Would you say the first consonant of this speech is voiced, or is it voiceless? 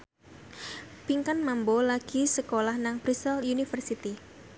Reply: voiceless